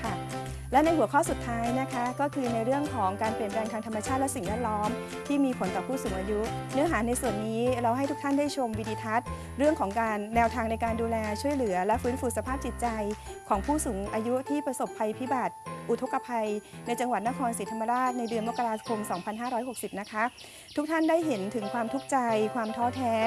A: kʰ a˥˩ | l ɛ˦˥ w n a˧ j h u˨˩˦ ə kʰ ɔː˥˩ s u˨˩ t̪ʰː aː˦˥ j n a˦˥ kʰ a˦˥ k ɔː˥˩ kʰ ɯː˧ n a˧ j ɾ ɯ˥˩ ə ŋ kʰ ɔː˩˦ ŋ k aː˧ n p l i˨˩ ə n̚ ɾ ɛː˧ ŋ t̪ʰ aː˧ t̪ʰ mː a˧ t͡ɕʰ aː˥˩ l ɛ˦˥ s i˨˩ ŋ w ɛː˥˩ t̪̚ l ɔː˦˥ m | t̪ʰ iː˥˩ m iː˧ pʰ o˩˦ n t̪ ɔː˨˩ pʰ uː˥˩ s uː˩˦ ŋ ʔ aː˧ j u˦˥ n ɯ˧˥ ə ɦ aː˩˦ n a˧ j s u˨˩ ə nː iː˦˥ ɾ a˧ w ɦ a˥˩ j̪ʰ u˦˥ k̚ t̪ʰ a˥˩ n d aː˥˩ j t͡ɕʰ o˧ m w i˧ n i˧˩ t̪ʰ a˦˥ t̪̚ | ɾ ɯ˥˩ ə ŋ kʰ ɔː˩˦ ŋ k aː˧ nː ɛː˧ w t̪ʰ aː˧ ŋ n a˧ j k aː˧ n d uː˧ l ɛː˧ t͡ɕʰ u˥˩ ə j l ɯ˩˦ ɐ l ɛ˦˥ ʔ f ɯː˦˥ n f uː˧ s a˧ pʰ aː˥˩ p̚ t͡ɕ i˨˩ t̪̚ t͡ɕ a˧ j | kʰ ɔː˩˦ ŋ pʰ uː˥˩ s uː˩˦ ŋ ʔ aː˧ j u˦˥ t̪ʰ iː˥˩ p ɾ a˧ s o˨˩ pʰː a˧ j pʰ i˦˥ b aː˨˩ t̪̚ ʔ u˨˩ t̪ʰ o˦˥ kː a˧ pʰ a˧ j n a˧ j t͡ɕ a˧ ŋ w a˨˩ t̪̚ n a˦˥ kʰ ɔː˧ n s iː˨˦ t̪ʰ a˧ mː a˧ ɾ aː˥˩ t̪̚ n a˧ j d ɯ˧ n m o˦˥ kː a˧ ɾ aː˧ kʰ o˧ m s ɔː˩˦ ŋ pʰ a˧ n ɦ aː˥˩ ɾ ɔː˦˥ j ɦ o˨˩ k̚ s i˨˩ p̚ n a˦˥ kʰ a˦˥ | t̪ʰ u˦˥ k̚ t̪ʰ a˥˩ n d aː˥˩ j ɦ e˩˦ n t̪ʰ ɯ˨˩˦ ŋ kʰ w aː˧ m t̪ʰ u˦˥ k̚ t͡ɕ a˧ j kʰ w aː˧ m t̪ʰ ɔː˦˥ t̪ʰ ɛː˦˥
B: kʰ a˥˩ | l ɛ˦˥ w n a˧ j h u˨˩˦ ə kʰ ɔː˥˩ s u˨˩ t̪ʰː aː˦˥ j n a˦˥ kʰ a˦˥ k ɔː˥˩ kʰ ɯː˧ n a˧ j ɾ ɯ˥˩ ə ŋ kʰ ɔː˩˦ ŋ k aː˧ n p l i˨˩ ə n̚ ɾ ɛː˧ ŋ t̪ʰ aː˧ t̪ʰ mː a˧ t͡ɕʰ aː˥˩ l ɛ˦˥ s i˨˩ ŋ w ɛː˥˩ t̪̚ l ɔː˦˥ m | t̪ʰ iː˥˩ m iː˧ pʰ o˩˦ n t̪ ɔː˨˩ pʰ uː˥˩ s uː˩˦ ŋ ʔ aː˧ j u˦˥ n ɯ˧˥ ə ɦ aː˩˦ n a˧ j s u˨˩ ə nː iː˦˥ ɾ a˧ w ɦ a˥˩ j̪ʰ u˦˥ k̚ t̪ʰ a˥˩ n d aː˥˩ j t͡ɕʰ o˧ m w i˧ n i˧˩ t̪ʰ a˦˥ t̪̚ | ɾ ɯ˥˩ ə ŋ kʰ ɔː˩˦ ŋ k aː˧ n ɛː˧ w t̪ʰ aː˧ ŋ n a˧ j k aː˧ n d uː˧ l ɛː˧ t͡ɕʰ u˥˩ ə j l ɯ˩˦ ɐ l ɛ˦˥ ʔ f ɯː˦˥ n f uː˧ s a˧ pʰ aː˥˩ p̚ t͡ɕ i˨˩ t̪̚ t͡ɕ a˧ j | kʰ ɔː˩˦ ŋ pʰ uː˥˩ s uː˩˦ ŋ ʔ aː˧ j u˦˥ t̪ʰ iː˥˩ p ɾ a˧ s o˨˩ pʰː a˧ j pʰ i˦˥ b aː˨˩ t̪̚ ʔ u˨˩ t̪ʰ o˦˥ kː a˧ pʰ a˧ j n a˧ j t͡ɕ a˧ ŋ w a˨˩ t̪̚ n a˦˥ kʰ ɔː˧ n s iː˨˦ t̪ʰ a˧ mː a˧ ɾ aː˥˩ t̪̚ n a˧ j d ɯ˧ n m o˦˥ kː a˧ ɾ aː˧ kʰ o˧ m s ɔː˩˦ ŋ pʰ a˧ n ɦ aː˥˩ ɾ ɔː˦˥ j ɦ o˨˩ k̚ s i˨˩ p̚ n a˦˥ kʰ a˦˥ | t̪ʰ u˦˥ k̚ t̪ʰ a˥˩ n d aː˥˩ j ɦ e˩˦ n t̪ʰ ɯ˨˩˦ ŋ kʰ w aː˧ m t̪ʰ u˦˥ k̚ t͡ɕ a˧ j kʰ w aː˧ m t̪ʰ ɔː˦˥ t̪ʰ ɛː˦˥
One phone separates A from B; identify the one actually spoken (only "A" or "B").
A